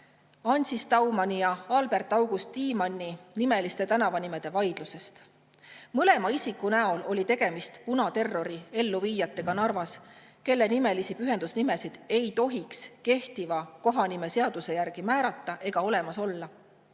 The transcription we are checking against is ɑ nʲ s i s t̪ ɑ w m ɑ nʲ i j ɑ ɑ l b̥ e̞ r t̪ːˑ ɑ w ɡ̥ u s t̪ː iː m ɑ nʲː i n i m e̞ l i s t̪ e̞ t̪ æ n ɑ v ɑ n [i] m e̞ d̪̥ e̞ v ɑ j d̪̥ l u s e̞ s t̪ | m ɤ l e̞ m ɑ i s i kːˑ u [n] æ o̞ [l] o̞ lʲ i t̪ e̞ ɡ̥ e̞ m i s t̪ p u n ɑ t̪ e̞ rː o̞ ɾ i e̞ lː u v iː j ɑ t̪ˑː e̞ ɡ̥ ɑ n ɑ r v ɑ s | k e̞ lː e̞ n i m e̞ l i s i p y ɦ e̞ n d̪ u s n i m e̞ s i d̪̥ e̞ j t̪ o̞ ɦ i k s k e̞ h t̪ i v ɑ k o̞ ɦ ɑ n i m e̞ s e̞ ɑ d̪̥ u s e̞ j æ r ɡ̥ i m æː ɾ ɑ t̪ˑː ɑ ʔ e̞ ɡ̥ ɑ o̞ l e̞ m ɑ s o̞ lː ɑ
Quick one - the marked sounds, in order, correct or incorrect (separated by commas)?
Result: correct, correct, correct